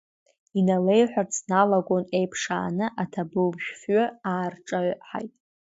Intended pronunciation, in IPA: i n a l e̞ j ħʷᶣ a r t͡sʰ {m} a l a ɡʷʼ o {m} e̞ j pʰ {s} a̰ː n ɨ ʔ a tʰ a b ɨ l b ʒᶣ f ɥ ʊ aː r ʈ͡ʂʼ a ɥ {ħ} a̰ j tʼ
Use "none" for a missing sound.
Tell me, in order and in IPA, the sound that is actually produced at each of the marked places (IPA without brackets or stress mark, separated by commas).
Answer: n, n, ʂ, ħ